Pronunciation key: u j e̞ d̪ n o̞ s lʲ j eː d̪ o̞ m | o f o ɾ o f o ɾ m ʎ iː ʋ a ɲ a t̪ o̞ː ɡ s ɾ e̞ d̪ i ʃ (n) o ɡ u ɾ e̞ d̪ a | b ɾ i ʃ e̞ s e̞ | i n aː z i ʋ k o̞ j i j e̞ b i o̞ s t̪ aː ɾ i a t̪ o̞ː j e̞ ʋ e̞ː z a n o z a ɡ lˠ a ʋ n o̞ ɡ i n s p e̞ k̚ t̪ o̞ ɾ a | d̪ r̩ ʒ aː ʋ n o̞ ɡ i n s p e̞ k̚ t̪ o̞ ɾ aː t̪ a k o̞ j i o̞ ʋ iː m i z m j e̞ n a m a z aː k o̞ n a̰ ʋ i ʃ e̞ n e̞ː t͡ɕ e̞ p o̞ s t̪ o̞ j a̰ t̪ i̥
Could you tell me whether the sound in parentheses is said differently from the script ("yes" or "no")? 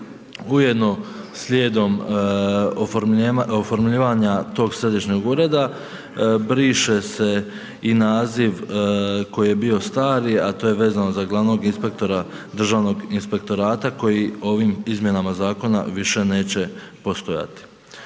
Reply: yes